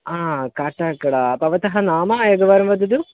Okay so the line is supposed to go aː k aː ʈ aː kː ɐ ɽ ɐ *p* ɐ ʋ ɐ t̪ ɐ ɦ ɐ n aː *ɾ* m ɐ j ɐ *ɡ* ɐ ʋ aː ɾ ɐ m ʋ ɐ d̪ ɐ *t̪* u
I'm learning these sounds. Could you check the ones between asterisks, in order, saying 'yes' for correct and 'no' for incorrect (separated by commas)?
yes, no, yes, no